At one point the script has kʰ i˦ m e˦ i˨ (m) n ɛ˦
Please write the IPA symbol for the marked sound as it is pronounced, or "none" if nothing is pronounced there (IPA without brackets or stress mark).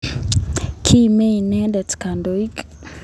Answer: none